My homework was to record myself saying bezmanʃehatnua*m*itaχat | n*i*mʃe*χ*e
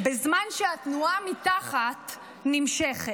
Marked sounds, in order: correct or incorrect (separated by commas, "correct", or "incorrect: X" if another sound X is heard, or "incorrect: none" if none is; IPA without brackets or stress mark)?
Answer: correct, correct, correct